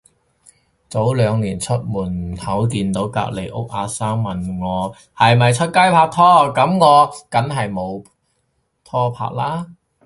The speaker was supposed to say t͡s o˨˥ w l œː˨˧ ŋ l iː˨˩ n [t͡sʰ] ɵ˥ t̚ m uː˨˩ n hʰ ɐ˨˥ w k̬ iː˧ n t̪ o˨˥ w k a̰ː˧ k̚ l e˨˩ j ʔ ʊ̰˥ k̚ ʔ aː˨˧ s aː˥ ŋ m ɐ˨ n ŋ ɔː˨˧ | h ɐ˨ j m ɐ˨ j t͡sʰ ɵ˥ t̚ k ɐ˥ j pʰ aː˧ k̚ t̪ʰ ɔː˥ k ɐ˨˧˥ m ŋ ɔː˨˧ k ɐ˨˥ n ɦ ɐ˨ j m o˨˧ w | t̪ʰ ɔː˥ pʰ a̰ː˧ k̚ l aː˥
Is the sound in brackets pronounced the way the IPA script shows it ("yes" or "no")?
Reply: yes